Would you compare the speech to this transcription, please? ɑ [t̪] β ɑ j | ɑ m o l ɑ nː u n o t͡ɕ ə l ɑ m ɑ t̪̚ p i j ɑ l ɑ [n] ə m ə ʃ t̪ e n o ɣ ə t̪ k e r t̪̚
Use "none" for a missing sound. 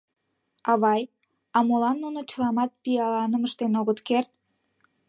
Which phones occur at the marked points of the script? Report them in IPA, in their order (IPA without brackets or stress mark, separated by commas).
none, n